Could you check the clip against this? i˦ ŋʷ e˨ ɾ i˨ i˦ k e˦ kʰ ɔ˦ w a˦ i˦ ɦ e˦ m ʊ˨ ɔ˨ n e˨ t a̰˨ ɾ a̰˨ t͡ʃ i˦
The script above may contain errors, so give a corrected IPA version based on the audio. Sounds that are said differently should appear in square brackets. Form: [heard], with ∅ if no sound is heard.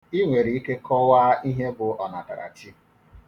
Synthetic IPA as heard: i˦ ŋʷ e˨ ɾ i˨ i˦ k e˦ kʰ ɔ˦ w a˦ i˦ ɦ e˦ [b] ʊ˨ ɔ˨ n [a˨] t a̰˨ ɾ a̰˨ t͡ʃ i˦